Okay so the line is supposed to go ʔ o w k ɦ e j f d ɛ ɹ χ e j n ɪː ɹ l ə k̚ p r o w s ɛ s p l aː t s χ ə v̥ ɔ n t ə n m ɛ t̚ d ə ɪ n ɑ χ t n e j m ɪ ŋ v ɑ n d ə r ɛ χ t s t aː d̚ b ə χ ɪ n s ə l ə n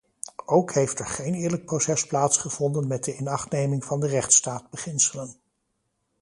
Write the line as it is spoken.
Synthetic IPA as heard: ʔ o w k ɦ e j f t ɛ ɹ χ e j n ɪː ɹ l ə k̚ p r o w s ɛ s p l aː t s χ ə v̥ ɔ n d ə n m ɛ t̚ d ə ɪ n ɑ χ t n e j m ɪ ŋ v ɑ n d ə r ɛ χ t s t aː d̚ b ə χ ɪ n s ə l ə n